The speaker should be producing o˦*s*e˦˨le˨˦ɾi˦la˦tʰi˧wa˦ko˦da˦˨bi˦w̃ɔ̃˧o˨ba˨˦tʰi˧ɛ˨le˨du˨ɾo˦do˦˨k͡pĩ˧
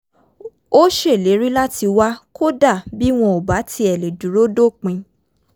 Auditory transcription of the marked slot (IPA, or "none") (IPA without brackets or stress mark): ʃ